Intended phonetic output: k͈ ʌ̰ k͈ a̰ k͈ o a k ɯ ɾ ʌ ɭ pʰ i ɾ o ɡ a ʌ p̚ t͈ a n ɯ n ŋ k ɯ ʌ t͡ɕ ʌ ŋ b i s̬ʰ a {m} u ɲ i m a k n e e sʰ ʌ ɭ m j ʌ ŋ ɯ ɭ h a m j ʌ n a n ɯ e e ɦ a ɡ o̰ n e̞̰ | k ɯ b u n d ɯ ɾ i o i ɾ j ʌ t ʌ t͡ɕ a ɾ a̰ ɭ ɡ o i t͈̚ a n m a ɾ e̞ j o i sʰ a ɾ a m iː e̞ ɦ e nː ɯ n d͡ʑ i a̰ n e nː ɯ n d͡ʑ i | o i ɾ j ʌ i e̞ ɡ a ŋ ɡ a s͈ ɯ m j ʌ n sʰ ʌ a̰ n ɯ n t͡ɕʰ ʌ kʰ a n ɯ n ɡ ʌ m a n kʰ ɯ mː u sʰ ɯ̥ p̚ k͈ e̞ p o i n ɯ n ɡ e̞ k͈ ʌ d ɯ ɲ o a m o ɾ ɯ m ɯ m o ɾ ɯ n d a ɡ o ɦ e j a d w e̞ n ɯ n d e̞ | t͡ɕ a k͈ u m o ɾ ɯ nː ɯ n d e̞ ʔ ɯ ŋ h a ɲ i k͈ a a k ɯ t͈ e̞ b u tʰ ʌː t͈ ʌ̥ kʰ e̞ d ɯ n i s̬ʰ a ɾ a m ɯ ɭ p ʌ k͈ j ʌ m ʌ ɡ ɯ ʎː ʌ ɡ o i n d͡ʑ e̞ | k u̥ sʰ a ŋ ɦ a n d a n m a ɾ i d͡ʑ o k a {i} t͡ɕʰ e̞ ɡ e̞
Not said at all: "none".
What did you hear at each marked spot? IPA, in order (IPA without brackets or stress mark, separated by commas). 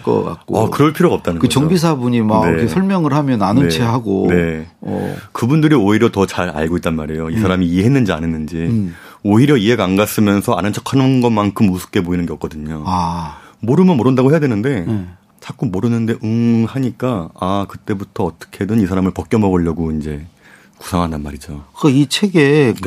b, i